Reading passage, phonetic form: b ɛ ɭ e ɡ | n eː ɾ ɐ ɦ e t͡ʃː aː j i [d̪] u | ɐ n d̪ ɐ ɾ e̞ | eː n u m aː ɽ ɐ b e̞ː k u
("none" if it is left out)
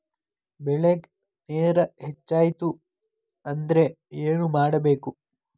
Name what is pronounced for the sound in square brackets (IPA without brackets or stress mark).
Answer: t̪